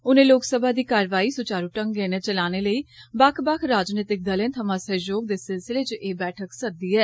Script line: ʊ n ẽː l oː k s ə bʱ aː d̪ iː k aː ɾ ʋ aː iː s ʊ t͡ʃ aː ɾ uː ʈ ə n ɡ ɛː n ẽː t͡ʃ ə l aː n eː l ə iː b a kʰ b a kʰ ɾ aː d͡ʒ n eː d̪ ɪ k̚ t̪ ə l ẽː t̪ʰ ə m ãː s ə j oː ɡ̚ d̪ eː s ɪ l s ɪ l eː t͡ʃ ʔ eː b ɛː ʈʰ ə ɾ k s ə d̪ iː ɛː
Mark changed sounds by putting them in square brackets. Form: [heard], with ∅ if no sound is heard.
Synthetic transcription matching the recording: ʊ n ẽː l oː k s ə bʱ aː d̪ iː k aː ɾ ʋ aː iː s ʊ t͡ʃ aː ɾ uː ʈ ə [ŋ] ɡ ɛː n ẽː t͡ʃ ə l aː n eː l ə iː b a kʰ b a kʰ ɾ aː d͡ʒ n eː [t̪] ɪ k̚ [d̪] ə l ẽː t̪ʰ ə m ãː s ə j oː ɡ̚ d̪ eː s ɪ l s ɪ l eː t͡ʃ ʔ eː b ɛː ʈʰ ə [∅] k s ə d̪ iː ɛː